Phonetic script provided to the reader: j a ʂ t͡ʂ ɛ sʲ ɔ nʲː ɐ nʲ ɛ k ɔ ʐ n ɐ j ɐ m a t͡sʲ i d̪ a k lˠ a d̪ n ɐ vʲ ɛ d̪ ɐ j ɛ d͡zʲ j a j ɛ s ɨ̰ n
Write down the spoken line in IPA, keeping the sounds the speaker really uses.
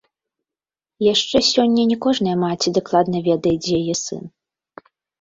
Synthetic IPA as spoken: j a ʂ t͡ʂ ɛ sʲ ɔ nʲː ɐ nʲ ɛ k ɔ ʐ n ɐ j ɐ m a t͡sʲ i d̪ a k lˠ a d̪ n ɐ vʲ ɛ d̪ ɐ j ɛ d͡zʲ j a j ɛ s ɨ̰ n